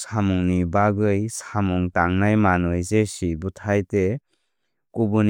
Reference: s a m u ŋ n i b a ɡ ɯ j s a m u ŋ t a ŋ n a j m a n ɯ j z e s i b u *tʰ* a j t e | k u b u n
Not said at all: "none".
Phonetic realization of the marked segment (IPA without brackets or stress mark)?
tʰ